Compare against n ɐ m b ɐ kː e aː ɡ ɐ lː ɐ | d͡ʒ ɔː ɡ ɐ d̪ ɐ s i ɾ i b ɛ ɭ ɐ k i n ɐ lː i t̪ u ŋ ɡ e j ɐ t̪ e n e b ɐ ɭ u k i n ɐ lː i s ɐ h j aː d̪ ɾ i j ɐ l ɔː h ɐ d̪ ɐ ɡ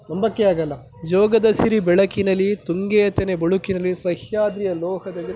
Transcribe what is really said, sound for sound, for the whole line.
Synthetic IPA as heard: n ɐ m b ɐ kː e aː ɡ ɐ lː ɐ | d͡ʒ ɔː ɡ ɐ d̪ ɐ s i ɾ i b ɛ ɭ ɐ k i n ɐ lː i t̪ u ŋ ɡ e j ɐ t̪ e n e b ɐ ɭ u k i n ɐ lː i s ɐ h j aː d̪ ɾ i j ɐ l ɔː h ɐ d̪ ɐ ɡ

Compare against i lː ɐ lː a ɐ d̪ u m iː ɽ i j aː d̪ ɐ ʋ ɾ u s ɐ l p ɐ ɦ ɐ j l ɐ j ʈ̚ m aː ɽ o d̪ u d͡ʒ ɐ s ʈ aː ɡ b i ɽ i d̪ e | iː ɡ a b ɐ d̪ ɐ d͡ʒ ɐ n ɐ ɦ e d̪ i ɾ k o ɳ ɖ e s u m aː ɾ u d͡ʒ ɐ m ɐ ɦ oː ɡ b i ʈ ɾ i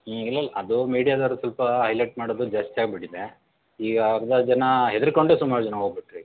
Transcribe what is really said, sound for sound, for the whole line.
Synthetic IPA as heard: i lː ɐ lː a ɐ d̪ u m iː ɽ i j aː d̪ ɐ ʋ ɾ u s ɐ l p ɐ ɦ ɐ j l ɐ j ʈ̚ m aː ɽ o d̪ u d͡ʒ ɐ s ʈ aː ɡ b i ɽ i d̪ e | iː ɡ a ɡ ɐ d̪ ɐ d͡ʒ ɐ n ɐ ɦ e d̪ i ɾ k o ɳ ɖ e s u m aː ɾ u d͡ʒ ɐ n ɐ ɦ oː ɡ b i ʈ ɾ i

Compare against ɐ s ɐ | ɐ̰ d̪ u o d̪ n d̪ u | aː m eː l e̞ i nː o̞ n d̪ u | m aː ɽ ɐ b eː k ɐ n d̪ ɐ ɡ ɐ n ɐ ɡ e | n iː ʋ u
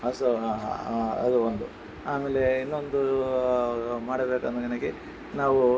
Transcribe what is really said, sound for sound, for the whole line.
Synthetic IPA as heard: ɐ s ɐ | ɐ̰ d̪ u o n d̪ u | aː m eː l e̞ i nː o̞ n d̪ u | m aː ɽ ɐ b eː k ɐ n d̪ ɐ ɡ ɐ n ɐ ɡ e | n aː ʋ u

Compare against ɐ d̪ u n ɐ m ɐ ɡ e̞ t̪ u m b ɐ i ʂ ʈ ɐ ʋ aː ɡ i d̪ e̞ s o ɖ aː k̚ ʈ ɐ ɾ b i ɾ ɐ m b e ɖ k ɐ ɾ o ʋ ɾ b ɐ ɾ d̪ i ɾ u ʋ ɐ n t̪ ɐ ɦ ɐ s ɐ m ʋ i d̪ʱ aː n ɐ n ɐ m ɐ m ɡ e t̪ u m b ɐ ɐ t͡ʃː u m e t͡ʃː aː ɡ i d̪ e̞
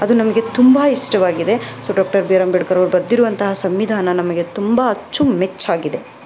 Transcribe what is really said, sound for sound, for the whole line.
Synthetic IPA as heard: ɐ d̪ u n ɐ m ɐ ɡ e̞ t̪ u m b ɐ i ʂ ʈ ɐ ʋ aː ɡ i d̪ e̞ s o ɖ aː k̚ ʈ ɐ ɾ b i ɾ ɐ m b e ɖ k ɐ ɾ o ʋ ɾ b ɐ ɾ d̪ i ɾ u ʋ ɐ n t̪ ɐ ɦ ɐ s ɐ m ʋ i d̪ʱ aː n ɐ n ɐ m ɐ ɡ e t̪ u m b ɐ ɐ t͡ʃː u m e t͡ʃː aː ɡ i d̪ e̞

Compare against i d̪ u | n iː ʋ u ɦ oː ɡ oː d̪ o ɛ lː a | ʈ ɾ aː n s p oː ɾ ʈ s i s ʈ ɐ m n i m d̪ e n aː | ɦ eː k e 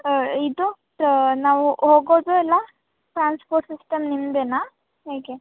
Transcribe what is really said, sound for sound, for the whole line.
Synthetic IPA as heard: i d̪ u | n aː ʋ u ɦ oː ɡ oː d̪ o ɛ lː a | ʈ ɾ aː n s p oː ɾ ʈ s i s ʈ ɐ m n i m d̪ e n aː | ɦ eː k e

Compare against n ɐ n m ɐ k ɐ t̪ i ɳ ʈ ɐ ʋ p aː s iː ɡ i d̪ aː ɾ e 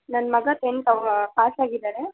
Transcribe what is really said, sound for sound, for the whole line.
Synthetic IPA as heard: n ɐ n m ɐ ɡ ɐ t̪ e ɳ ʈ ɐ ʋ p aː s aː ɡ i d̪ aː ɾ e

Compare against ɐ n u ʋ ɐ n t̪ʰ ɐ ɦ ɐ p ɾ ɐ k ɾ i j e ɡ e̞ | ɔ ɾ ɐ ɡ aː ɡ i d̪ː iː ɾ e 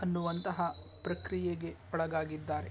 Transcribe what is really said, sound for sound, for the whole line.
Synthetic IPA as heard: ɐ nː u ʋ ɐ n t̪ ɐ ɦ ɐ p ɾ ɐ k ɾ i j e ɡ e̞ | ɔ ɭ ɐ ɡ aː ɡ i d̪ː aː ɾ e

